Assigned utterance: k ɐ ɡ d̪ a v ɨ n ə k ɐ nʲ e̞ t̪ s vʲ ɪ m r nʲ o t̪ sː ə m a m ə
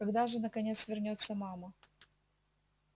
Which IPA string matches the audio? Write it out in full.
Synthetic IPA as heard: k ɐ ɡ d̪ a ʐ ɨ n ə k ɐ nʲ e̞ t̪ s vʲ ɪ r nʲ o t̪ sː ə m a m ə